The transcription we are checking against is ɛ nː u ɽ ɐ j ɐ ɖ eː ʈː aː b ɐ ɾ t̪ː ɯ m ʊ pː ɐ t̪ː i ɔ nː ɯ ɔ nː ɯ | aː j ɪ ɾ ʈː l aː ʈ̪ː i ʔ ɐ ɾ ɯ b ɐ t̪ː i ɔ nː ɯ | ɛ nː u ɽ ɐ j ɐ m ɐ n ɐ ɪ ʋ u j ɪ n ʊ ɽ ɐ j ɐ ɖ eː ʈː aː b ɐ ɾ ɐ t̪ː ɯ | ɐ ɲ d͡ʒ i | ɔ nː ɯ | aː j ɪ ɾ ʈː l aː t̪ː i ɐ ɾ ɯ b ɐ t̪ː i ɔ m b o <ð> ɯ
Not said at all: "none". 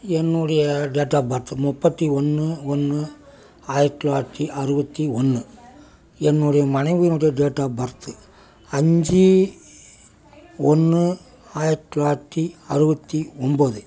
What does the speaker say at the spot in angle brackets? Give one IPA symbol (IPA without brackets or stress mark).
ð